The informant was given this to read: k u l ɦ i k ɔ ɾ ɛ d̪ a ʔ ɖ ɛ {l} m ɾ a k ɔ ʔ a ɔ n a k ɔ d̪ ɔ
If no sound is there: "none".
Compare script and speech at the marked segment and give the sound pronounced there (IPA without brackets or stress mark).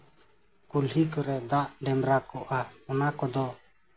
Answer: none